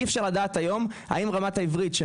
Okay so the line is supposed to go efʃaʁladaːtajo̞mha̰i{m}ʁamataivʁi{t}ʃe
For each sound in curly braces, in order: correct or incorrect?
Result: correct, correct

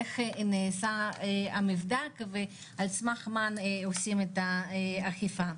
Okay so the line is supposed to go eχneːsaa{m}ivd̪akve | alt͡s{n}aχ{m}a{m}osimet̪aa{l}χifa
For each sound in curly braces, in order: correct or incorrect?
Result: correct, incorrect: m, correct, incorrect: n, incorrect: none

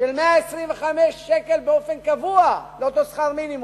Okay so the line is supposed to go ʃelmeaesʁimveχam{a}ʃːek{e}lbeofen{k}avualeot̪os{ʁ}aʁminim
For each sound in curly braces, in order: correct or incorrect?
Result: incorrect: e, correct, correct, incorrect: χ

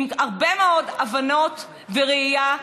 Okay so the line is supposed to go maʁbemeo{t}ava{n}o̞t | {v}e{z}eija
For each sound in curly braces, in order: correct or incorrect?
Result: incorrect: d, correct, correct, incorrect: ʁ

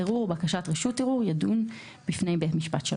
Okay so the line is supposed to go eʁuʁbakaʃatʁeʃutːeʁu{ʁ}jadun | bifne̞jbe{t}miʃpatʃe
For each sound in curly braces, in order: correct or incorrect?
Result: correct, correct

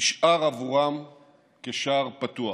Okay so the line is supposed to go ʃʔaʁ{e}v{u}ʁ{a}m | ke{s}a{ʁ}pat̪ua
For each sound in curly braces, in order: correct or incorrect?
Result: incorrect: a, correct, correct, incorrect: ʃ, correct

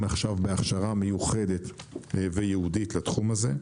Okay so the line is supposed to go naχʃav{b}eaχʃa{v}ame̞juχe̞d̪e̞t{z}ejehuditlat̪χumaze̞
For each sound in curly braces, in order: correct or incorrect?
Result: correct, incorrect: ʁ, incorrect: v

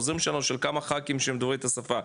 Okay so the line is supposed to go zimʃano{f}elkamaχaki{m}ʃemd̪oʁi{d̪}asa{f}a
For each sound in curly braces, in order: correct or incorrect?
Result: incorrect: ʃ, correct, incorrect: t̪, correct

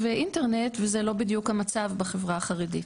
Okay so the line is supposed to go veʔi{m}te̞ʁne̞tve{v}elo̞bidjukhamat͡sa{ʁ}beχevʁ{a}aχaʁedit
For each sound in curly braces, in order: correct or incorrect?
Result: incorrect: n, incorrect: z, incorrect: v, correct

